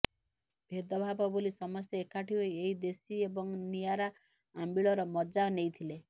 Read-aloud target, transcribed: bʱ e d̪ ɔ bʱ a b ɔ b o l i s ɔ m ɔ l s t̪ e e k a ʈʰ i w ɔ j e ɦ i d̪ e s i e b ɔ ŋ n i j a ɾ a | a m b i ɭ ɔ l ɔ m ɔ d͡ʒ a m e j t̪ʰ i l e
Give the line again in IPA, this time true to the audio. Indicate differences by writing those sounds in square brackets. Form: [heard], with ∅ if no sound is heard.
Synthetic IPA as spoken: bʱ e d̪ ɔ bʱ a b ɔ b o l i s ɔ m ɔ [∅] s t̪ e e k a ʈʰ i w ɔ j e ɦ i d̪ e s i e b ɔ ŋ n i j a ɾ a | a m b i ɭ ɔ [ɾ] ɔ m ɔ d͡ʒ a [n] e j t̪ʰ i l e